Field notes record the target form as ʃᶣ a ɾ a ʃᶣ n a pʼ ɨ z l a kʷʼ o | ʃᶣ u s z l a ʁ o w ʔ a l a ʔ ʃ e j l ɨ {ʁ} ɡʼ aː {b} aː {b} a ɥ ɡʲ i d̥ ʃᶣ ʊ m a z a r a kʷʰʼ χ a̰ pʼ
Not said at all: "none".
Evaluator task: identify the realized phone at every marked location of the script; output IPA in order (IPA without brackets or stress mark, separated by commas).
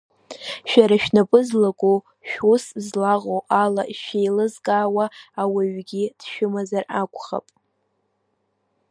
z, w, w